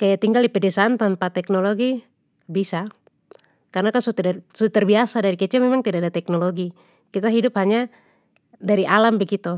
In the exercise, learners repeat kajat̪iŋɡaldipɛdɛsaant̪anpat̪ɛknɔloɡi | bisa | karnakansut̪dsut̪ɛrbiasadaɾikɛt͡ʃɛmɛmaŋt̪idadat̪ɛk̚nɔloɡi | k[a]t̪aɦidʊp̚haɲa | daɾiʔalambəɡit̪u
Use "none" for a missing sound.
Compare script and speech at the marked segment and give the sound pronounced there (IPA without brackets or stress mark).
i